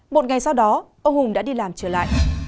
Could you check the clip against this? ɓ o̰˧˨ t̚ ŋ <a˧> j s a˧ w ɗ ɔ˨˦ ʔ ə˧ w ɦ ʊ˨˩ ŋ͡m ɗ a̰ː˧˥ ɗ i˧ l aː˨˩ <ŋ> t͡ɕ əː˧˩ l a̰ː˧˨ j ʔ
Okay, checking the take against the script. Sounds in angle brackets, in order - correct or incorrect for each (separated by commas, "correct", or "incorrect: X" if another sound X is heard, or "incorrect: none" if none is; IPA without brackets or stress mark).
incorrect: a˨˩, incorrect: m